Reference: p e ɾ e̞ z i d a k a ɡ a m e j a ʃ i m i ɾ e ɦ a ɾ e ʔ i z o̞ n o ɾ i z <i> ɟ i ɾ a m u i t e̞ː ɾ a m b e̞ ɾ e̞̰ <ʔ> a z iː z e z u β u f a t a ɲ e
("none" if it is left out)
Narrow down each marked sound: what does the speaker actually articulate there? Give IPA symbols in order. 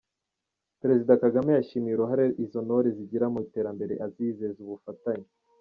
i, ʔ

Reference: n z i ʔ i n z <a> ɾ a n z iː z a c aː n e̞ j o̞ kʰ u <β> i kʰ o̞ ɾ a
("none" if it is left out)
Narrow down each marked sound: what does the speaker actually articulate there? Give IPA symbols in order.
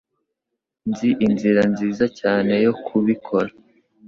i, β

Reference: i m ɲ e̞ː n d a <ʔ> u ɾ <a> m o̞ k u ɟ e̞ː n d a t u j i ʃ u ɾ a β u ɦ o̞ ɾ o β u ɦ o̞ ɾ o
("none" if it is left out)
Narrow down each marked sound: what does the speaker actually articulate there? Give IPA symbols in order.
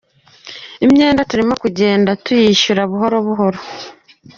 t, i

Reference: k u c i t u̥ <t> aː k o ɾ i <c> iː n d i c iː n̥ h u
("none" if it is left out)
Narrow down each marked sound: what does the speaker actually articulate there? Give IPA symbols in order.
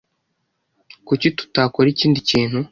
t, c

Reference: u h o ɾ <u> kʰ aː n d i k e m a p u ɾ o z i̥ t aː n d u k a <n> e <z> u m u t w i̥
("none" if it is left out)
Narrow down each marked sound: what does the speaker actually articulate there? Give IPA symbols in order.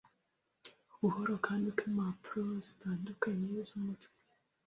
o, ɲ, z

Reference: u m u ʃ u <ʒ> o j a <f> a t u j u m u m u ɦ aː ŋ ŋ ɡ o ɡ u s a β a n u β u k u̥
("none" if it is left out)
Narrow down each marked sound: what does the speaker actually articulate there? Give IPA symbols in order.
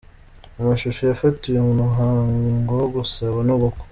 ʃ, f

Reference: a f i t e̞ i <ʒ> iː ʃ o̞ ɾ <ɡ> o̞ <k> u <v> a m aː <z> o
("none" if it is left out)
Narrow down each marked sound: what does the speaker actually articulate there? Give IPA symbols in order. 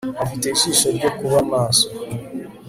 ʃ, ɟ, k, β, s

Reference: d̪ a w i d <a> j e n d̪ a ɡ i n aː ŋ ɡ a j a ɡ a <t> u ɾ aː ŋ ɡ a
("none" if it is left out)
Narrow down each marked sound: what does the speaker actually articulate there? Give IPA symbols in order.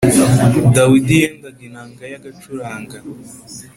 i, t͡ʃ

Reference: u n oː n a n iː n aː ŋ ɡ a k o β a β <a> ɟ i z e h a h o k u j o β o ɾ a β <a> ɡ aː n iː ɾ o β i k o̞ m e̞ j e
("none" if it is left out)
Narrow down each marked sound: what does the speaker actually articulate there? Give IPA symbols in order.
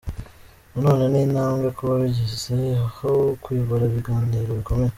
i, i

